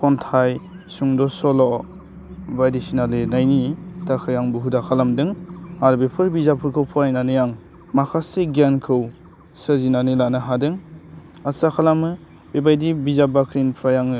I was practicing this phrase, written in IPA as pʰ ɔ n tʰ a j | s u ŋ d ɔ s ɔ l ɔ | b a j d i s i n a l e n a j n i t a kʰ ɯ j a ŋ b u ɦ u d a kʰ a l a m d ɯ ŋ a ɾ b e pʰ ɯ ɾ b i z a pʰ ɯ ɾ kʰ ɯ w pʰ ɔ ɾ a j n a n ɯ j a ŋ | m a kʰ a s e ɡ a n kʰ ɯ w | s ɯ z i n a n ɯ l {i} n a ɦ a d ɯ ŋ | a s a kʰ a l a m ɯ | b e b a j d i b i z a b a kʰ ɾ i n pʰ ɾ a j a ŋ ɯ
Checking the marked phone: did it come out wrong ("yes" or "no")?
yes